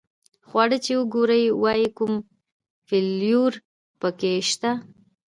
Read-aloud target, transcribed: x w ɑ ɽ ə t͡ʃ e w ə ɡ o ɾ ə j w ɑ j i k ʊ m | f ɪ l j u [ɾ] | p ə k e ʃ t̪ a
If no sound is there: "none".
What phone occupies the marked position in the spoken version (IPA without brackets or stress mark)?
ɾ